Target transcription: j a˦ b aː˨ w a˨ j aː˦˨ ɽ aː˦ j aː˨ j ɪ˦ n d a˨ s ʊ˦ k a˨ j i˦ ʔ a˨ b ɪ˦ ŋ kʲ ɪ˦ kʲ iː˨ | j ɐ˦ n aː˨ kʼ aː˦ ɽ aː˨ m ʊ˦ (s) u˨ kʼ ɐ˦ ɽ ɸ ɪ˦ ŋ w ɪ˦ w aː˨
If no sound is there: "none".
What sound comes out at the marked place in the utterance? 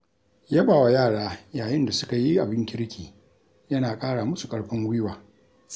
s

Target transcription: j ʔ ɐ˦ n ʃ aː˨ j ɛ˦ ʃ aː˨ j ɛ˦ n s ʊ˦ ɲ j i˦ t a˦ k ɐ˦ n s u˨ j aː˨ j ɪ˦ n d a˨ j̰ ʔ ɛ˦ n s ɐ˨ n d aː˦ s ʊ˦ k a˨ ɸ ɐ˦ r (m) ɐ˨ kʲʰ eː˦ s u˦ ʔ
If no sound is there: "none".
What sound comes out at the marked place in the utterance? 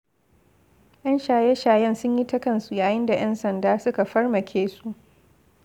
m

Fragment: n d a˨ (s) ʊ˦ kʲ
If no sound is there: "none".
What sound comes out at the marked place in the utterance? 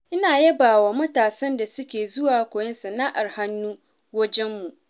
s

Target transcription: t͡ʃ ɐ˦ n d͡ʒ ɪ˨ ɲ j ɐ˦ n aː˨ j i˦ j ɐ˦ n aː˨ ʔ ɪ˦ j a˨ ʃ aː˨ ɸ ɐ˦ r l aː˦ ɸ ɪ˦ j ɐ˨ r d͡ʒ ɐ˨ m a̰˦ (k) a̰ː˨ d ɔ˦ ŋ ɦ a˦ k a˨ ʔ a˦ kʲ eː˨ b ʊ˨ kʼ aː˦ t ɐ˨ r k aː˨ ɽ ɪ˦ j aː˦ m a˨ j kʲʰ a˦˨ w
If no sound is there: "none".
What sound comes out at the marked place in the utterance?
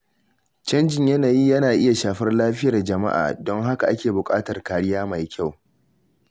ʔ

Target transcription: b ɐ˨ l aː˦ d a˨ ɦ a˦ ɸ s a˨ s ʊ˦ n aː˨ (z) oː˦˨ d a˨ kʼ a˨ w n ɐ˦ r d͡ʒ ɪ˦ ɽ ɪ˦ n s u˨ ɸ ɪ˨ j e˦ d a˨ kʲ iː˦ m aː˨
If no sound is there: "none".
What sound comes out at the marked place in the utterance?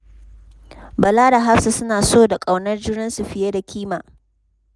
s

